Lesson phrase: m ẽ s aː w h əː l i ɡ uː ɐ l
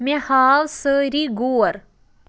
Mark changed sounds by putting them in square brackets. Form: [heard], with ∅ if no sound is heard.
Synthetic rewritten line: m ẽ [h] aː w [s] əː [ɾ] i ɡ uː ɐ [ɾ]